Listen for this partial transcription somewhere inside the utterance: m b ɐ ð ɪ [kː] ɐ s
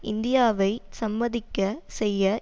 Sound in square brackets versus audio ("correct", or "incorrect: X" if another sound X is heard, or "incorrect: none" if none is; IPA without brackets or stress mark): correct